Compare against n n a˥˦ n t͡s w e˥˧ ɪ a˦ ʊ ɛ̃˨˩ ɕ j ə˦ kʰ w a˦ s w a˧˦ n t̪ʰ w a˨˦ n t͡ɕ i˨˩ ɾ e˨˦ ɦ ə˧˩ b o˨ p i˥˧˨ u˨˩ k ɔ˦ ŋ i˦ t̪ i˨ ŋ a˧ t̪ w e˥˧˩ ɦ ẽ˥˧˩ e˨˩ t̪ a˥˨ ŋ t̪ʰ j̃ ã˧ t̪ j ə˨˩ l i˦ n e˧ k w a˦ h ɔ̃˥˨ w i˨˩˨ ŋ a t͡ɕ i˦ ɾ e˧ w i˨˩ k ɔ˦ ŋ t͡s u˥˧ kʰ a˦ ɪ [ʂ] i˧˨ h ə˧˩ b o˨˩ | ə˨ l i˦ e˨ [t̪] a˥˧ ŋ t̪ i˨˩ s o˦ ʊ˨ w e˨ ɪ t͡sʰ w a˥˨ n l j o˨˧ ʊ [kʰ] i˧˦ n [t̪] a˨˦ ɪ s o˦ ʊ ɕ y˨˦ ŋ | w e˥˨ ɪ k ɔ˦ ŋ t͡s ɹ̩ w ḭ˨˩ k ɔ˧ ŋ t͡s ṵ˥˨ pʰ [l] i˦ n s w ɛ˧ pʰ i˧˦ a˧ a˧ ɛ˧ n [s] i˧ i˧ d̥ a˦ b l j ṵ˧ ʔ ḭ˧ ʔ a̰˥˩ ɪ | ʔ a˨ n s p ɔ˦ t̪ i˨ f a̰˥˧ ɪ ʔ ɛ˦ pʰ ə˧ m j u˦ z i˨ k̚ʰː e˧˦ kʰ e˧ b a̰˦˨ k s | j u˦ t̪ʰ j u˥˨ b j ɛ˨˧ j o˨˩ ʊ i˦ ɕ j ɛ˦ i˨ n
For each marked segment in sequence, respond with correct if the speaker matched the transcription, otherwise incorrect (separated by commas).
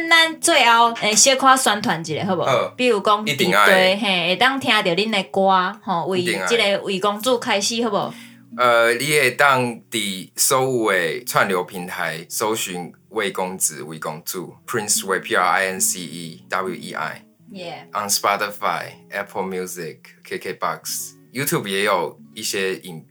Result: incorrect, correct, incorrect, incorrect, incorrect, correct